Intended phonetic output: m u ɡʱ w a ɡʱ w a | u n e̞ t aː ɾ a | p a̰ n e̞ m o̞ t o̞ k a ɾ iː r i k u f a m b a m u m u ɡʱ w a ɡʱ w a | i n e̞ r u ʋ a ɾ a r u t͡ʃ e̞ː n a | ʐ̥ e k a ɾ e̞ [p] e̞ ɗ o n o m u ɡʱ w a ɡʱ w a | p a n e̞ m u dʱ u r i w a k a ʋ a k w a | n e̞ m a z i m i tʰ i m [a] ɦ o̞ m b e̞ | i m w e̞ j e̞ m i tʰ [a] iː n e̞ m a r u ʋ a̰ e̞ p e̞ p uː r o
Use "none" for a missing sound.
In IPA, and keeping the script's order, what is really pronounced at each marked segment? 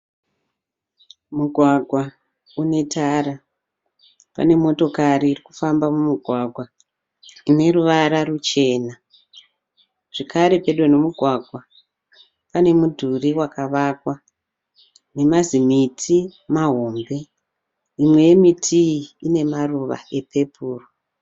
p, a, i

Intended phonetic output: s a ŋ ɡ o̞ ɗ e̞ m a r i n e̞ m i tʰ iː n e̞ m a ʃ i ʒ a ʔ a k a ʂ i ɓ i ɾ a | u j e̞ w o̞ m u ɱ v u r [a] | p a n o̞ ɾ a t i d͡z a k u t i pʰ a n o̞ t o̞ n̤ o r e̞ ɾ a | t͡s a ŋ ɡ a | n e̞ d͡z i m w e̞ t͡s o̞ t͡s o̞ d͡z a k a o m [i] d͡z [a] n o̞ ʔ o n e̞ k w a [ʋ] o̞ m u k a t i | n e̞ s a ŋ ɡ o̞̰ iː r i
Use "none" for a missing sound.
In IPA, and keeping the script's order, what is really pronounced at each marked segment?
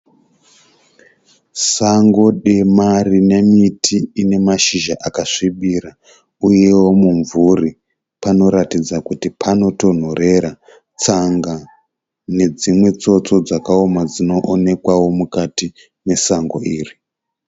i, a, i, w

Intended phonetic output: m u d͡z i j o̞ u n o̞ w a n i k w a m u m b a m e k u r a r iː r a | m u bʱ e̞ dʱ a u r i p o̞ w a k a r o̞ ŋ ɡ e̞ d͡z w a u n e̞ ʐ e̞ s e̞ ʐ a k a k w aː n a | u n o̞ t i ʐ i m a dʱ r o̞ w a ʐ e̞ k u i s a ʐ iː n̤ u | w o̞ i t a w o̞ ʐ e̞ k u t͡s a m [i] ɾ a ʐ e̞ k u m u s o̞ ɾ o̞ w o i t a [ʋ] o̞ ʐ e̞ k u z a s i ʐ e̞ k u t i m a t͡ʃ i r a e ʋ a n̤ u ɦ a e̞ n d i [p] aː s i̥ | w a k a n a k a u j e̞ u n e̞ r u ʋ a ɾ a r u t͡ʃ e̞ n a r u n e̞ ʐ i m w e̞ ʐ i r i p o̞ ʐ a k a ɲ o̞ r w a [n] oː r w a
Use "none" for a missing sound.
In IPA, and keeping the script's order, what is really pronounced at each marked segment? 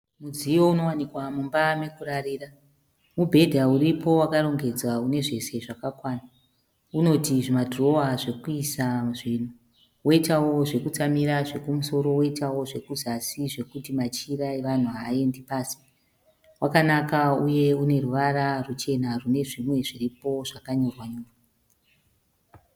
i, w, p, ɲ

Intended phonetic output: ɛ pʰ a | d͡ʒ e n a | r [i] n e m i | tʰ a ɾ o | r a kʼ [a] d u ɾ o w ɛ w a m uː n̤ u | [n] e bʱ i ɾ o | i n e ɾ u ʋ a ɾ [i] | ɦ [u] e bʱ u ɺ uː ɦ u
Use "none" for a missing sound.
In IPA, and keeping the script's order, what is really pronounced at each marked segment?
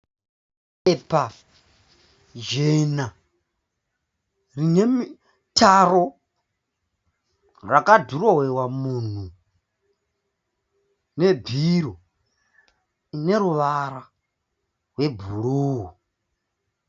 i, a, n, a, w

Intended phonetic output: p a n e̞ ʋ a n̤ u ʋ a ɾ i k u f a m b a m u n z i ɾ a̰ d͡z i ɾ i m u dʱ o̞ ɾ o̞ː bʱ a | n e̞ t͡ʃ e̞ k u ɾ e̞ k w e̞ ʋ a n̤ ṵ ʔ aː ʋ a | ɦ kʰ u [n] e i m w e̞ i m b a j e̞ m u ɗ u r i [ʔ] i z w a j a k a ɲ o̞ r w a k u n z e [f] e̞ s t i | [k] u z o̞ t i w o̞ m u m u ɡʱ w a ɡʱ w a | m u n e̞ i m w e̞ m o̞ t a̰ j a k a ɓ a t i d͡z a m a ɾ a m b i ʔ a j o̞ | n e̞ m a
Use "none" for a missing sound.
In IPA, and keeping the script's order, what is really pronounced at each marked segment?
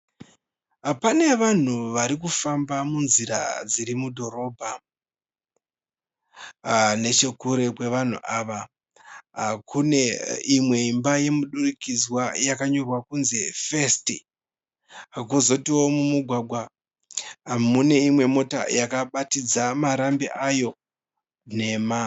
n, k, f, k

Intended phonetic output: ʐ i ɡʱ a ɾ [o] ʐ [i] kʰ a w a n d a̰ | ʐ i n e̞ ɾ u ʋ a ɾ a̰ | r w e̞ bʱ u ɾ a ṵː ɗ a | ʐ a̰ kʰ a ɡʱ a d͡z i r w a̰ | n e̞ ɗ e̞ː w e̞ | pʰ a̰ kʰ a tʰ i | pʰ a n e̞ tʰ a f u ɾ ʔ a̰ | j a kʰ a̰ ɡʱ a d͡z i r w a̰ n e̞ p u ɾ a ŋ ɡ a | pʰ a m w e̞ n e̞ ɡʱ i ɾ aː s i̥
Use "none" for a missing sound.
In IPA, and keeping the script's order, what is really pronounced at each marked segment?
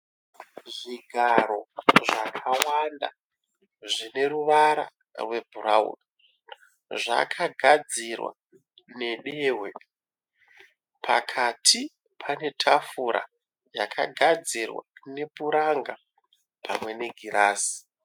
o, a

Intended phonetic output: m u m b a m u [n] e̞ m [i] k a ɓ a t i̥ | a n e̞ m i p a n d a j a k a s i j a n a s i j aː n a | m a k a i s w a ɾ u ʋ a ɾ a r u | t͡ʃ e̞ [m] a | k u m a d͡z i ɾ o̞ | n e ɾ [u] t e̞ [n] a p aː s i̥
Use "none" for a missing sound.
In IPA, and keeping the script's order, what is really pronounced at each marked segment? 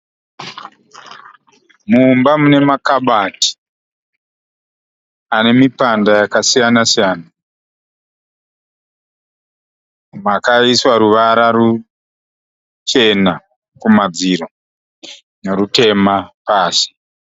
n, a, n, u, m

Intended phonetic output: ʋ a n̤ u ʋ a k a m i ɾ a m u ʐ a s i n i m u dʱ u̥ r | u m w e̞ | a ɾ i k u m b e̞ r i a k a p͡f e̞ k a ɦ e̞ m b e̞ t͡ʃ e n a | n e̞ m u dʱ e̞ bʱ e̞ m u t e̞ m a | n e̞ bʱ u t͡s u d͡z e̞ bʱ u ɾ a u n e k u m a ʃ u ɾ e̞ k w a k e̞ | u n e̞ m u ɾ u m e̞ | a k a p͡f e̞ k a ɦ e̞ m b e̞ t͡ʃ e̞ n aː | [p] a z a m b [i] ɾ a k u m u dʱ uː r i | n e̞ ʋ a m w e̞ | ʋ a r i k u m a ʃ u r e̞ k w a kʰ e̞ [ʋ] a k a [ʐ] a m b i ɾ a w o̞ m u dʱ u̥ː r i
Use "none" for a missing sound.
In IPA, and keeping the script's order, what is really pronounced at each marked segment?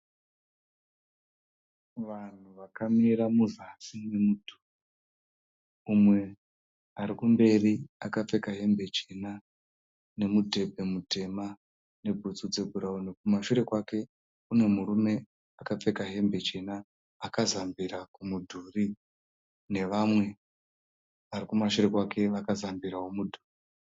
k, i, ʋ, z

